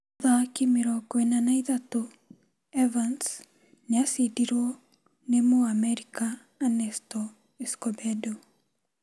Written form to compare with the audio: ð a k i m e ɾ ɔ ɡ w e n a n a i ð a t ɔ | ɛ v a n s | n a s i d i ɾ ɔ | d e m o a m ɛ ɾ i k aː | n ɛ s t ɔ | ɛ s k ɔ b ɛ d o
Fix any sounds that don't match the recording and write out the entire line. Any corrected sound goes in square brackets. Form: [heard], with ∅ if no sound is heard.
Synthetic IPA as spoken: ð a k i m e ɾ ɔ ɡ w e n a n a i ð a t [o] | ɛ v a n s | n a s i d i ɾ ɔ | [n] e m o a m ɛ ɾ i k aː | n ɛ s t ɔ | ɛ s k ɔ b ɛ d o